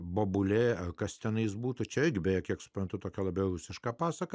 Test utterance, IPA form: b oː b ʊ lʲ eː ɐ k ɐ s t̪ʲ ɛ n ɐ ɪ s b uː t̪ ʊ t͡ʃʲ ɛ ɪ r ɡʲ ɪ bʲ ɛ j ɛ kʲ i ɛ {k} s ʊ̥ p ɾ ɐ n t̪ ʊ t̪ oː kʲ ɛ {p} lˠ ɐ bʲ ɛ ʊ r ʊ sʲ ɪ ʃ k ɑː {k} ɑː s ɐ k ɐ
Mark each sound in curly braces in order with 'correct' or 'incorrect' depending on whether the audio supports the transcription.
correct, incorrect: none, incorrect: p

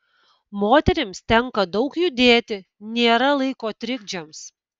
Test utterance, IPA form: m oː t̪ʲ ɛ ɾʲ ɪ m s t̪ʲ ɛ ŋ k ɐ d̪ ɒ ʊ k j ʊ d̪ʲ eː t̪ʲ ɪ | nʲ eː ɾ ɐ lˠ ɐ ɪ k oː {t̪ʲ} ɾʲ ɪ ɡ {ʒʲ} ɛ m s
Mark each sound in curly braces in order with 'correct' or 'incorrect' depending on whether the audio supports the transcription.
correct, incorrect: d͡ʒʲ

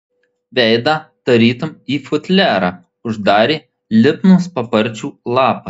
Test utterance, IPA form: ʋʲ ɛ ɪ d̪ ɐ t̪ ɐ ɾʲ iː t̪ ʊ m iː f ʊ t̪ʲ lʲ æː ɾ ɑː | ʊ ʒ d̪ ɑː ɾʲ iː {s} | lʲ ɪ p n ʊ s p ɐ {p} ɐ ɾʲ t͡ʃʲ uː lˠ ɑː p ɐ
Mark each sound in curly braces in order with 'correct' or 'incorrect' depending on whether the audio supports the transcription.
incorrect: none, correct

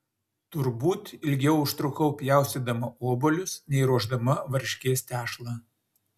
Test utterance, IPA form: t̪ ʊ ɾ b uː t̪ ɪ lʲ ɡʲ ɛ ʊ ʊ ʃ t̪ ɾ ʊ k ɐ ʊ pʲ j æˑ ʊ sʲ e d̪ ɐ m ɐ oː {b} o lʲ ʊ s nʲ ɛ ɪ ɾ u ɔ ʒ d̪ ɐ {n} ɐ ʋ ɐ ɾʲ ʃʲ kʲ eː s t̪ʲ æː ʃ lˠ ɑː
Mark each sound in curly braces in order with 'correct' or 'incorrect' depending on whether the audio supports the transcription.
correct, incorrect: m

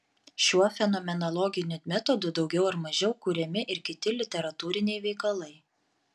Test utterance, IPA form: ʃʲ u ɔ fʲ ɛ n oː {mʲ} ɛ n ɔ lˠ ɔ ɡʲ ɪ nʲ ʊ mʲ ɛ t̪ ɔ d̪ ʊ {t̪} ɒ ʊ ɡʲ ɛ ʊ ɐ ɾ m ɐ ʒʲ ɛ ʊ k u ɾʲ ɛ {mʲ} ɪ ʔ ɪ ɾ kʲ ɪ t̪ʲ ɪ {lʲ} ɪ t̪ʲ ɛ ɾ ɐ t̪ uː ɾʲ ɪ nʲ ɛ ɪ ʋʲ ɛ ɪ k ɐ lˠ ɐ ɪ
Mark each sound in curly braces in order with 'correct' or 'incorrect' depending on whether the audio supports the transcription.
correct, incorrect: d̪, correct, correct

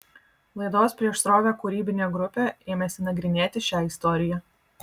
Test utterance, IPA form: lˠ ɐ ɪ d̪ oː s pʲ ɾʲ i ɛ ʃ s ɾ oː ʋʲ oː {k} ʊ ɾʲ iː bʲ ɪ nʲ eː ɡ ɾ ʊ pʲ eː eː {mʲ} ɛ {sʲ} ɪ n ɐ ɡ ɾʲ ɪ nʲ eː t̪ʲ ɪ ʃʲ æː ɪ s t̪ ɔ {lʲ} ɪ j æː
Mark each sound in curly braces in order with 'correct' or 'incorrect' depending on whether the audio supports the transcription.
correct, correct, correct, incorrect: ɾʲ

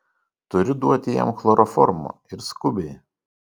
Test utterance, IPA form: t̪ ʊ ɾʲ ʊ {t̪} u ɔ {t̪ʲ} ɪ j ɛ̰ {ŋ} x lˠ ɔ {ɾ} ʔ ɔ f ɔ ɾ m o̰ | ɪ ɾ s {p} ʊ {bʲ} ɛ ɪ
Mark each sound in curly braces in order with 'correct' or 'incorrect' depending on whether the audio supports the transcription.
incorrect: d̪, correct, incorrect: m, correct, incorrect: k, correct

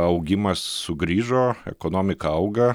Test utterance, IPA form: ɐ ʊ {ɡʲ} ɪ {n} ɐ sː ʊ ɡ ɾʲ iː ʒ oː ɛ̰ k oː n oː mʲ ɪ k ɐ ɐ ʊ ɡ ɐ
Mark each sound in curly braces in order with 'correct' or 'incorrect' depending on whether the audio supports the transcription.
correct, incorrect: m

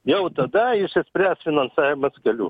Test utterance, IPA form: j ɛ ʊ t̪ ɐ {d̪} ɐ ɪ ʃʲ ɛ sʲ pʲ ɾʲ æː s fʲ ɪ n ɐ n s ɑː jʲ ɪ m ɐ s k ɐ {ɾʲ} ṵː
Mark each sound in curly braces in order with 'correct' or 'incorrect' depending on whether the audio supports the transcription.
correct, incorrect: lʲ

